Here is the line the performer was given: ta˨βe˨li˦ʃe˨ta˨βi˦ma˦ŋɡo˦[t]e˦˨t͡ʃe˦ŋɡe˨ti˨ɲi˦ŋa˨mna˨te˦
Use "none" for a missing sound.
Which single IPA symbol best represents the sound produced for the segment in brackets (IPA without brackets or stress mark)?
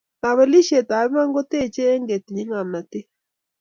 t